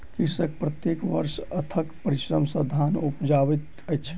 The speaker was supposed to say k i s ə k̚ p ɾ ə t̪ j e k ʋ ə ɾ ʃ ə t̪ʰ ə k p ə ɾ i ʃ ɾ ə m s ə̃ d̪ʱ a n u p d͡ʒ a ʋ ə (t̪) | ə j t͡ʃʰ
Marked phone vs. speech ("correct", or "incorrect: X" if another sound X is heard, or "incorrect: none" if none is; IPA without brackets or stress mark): correct